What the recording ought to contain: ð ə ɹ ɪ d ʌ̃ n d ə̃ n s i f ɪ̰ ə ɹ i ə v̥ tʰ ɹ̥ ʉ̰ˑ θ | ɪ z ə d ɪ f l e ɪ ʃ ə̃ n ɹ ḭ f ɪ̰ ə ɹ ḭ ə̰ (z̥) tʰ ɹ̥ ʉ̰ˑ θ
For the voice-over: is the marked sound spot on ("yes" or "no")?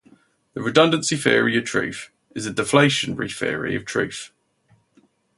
no